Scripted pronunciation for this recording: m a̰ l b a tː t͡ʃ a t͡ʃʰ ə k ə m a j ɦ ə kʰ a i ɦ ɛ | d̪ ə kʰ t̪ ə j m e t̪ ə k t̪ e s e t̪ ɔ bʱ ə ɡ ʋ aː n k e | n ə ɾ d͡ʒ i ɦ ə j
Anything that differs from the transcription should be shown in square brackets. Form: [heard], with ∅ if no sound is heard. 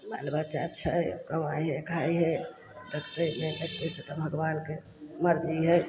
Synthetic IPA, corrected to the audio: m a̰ l b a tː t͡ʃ a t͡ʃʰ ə k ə m a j ɦ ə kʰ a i ɦ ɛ | d̪ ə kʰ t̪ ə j m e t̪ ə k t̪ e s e t̪ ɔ bʱ ə ɡ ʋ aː n k e | [m] ə ɾ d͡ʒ i ɦ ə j